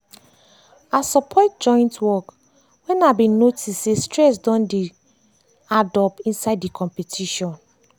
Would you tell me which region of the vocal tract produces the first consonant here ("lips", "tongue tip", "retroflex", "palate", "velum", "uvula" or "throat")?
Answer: tongue tip